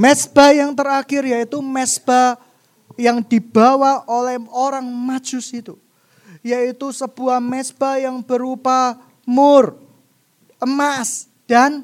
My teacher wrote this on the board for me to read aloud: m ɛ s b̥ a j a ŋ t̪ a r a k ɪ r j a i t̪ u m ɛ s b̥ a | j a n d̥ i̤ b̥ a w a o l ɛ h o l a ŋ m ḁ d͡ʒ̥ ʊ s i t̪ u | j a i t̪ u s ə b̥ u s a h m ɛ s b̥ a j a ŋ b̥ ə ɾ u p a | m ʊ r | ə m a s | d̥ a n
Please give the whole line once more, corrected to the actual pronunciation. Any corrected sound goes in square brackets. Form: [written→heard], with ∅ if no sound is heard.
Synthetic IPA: m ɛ s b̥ a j a ŋ t̪ [a→ə] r a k ɪ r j a i t̪ u m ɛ s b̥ a | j a [n→ŋ] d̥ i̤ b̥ a w a o l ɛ h o [l→ɾ] a ŋ m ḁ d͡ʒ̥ ʊ s i t̪ u | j a i t̪ u s ə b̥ u [s→∅] a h m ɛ s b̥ a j a ŋ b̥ ə ɾ u p a | m ʊ r | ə m a s | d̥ a n